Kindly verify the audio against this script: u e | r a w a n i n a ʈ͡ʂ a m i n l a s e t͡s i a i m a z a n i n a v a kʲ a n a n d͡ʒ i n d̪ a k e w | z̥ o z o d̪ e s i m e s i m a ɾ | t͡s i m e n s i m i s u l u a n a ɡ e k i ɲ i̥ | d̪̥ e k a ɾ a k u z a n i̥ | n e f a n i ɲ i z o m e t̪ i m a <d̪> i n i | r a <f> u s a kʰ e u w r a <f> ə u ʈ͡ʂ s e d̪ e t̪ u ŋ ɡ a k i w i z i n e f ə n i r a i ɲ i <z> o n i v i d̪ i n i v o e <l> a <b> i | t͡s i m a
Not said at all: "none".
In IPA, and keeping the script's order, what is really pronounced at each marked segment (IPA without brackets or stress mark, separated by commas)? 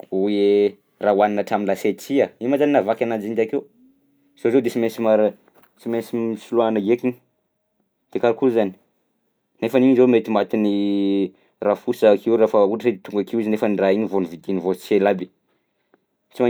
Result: t̪, f, f, v, l, b